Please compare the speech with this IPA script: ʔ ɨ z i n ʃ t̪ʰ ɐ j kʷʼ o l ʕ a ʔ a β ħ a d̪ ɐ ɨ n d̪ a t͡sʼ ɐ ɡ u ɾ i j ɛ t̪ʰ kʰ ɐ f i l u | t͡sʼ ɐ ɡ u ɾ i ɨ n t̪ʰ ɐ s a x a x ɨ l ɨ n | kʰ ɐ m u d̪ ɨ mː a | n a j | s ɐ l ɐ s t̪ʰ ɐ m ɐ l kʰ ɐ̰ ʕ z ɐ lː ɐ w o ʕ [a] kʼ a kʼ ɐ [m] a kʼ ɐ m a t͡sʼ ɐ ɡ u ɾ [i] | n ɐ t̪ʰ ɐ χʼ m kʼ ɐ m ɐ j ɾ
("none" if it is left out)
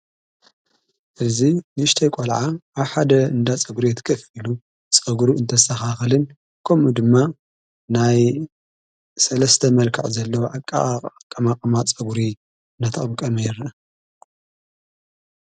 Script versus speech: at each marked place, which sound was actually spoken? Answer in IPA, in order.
a, m, i

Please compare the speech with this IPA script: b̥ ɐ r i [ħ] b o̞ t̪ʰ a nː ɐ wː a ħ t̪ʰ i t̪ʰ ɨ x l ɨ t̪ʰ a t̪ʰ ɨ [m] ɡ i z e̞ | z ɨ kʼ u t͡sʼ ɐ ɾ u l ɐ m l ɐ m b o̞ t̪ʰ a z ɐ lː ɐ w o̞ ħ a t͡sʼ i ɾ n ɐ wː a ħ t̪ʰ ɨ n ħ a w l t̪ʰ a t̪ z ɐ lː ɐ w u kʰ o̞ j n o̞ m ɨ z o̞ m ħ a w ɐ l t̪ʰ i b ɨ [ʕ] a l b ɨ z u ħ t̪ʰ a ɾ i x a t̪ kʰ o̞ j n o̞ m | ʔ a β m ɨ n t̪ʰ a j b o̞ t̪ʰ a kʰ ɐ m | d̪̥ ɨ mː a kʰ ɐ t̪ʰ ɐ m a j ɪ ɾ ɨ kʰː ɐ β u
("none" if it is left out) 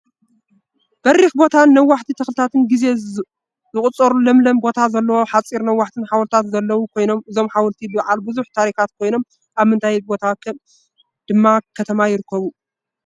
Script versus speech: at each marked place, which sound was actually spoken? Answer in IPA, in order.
x, n, ʕ

